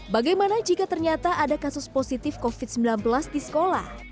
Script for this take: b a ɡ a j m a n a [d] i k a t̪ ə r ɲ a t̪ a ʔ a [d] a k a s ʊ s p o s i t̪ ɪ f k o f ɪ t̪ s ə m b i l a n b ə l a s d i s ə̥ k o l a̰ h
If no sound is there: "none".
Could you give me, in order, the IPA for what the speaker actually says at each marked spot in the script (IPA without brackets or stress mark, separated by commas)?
d͡ʒ, d